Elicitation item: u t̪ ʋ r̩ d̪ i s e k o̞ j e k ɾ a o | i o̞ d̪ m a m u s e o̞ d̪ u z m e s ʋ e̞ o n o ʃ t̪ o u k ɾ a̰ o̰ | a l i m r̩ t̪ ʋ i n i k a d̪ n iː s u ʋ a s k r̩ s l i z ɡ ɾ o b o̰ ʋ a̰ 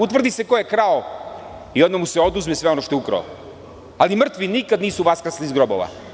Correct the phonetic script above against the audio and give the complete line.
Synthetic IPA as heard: u t̪ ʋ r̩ d̪ i s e k o̞ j e k ɾ a o | i o̞ d̪ m a m u s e o̞ d̪ u z m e s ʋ e̞ o n o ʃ t̪ o u k ɾ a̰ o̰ | a l i m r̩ t̪ ʋ i n i k a d̪ n iː s u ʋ a s k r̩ s l i z ɡ ɾ o b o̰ ʋ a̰